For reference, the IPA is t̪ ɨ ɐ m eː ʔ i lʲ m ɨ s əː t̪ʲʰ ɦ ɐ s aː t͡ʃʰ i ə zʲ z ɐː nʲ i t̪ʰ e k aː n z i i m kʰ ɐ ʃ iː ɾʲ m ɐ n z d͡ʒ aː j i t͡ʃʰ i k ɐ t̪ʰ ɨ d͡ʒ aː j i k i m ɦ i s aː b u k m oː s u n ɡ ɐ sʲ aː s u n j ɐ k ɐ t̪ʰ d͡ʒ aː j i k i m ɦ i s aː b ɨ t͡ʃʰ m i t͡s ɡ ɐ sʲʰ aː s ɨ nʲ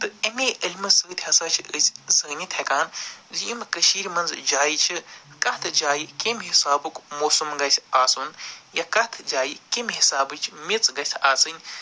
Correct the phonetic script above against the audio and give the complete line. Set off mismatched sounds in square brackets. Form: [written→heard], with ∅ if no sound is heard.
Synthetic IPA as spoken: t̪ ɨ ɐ m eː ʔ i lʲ m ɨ s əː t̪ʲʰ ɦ ɐ s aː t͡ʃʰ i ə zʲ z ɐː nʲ i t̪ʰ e k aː n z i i m [kʰ→k] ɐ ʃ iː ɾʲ m ɐ n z d͡ʒ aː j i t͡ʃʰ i k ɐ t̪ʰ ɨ d͡ʒ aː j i k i m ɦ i s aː b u k m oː s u [n→m] ɡ ɐ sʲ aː s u n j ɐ k ɐ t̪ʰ d͡ʒ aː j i k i m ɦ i s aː b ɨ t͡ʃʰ m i t͡s ɡ ɐ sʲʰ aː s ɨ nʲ